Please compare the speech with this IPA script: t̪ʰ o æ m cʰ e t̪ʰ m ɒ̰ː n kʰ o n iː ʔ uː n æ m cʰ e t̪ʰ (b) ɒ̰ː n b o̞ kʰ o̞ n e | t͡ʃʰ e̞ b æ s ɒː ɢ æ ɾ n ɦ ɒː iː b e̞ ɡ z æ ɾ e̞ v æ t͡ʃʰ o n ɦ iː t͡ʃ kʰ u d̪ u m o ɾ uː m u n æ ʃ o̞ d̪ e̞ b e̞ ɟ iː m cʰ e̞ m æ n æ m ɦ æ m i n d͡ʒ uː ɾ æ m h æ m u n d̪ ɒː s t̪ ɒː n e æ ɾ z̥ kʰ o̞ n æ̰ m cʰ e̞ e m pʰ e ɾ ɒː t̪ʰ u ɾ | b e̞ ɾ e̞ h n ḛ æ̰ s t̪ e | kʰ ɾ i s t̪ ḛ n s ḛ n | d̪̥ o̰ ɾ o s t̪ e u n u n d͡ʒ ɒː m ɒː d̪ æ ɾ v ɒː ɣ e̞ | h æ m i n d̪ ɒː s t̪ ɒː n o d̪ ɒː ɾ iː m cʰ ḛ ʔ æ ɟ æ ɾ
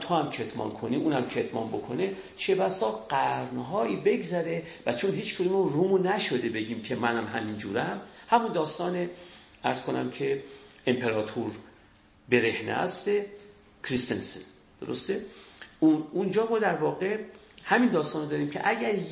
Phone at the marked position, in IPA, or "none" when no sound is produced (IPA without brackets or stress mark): m